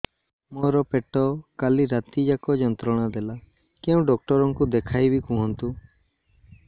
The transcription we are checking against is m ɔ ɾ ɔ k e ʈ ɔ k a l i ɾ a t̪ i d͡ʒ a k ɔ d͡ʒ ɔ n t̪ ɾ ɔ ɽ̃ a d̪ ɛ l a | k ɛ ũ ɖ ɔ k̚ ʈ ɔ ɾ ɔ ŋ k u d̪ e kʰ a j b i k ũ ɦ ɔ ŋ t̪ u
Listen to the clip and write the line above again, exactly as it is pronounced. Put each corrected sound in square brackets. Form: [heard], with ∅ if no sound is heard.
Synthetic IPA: m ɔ ɾ ɔ [p] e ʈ ɔ k a l i ɾ a t̪ i d͡ʒ a k ɔ d͡ʒ ɔ n t̪ ɾ ɔ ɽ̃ a d̪ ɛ l a | k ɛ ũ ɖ ɔ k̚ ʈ ɔ ɾ ɔ ŋ k u d̪ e kʰ a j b i k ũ ɦ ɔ [n] t̪ u